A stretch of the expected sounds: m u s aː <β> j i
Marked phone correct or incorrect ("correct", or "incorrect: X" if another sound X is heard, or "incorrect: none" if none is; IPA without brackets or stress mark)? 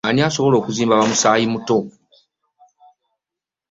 incorrect: none